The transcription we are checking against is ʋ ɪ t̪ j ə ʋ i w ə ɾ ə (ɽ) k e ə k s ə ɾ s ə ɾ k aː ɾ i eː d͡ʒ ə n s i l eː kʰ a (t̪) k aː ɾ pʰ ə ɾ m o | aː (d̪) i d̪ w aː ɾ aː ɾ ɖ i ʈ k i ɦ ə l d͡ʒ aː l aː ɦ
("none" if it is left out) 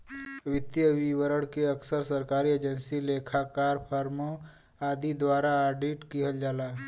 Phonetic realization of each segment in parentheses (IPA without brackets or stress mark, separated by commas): ɽ, none, d̪